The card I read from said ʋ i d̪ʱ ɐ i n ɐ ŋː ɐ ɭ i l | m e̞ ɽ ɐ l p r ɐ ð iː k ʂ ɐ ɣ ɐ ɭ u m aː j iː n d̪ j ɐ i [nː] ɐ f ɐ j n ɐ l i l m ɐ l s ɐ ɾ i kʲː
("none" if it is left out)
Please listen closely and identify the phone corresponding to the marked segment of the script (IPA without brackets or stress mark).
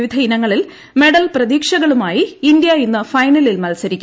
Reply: nː